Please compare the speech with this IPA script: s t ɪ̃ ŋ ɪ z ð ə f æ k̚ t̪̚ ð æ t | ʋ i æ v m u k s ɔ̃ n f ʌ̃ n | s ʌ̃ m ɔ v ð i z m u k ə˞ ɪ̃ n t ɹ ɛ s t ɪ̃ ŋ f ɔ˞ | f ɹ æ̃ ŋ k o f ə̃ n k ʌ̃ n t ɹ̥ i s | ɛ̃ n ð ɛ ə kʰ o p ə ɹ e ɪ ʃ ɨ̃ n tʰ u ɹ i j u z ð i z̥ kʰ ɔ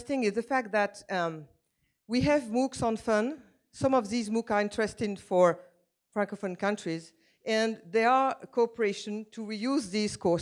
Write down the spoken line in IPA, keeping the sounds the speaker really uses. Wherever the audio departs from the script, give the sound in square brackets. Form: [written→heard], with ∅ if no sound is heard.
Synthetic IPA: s t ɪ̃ ŋ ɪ z ð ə f æ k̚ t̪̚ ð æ t | [ʋ→w] i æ v m u k s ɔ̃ n f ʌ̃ n | s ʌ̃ m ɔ v ð i z m u k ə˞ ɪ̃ n t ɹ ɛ s t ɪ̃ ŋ f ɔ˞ | f ɹ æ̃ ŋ k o f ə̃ n k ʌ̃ n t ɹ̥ i [s→z] | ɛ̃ n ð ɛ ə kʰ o p ə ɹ e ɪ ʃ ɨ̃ n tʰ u ɹ i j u z ð i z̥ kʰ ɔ